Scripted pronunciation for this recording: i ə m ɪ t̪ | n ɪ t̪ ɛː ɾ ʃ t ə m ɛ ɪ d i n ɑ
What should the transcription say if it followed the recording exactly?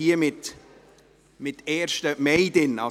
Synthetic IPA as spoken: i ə m ɪ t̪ | m ɪ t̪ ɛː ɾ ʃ t ə m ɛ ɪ d ɪ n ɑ